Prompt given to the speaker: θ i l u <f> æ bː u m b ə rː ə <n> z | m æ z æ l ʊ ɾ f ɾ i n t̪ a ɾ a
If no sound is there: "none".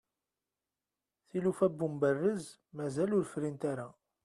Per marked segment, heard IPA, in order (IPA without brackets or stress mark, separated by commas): f, none